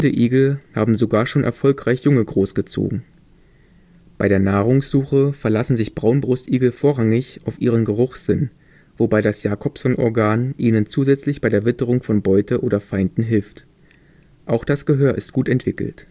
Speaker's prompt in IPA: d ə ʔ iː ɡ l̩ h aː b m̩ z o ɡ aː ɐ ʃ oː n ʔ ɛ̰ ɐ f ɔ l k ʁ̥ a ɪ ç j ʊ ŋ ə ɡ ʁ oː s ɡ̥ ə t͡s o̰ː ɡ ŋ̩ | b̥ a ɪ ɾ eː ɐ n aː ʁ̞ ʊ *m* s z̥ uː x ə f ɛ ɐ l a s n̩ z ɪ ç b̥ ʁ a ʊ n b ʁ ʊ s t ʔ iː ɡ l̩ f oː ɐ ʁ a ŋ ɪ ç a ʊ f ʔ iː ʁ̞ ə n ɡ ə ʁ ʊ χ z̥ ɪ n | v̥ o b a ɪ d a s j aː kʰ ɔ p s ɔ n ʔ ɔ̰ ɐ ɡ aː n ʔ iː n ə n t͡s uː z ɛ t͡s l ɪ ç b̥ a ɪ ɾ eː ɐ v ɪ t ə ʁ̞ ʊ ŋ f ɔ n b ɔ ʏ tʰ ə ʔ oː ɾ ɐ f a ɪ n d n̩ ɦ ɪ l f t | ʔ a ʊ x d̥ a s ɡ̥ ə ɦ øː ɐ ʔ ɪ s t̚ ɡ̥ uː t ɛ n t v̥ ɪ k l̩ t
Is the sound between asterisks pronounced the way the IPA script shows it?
no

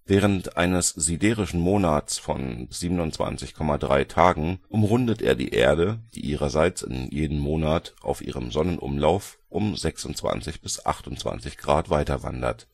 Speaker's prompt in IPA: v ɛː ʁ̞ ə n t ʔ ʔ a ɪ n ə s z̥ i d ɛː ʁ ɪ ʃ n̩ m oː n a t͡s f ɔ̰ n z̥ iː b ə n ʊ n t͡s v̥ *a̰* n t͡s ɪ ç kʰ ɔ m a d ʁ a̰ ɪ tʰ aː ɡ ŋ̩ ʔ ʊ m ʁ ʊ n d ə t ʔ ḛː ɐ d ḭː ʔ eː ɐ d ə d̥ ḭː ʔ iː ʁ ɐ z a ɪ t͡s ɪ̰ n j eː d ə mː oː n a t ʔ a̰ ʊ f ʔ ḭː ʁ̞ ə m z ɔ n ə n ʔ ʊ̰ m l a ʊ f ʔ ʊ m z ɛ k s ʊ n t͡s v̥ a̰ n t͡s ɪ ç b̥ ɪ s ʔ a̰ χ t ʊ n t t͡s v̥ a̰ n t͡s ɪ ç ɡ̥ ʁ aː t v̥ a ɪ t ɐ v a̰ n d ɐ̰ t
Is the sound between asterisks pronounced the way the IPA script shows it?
yes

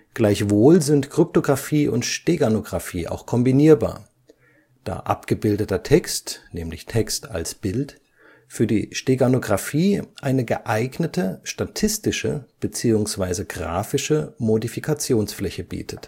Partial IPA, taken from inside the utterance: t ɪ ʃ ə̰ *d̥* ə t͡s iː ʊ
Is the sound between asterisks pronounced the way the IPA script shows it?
no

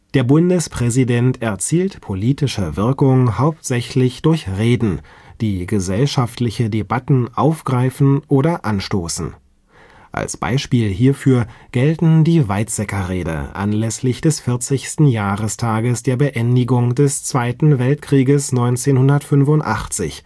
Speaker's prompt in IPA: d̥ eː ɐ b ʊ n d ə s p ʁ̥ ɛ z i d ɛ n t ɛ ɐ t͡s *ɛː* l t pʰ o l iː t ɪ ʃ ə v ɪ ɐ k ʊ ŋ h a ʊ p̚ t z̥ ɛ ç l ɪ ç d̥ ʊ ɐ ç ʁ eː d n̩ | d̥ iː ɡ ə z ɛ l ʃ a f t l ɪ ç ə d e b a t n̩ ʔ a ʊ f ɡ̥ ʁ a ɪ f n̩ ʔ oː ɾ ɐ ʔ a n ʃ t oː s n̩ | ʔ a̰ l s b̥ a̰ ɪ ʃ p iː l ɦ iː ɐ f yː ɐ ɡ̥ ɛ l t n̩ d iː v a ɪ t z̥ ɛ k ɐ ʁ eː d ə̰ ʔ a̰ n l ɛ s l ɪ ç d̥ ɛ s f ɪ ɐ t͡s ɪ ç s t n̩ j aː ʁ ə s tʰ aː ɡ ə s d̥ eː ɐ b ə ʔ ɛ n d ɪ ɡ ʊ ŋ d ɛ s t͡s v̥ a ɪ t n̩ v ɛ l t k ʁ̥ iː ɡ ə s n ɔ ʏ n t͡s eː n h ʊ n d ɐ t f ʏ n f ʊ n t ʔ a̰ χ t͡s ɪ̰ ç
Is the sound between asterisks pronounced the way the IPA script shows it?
no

